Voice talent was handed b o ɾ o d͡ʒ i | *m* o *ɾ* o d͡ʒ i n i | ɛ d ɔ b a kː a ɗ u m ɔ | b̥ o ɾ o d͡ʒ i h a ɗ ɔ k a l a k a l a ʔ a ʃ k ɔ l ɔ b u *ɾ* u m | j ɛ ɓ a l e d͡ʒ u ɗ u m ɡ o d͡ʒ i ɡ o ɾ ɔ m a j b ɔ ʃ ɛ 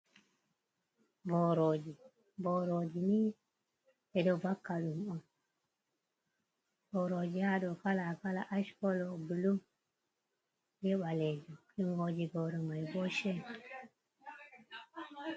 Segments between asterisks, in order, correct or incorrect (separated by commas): incorrect, correct, incorrect